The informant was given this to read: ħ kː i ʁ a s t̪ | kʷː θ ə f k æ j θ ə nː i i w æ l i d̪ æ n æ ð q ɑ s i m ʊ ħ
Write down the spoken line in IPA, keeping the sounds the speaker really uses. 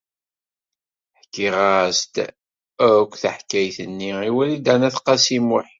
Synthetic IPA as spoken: ħ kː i ʁ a s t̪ | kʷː θ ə ħ k æ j θ ə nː i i w æ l i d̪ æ n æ θ q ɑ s i m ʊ ħ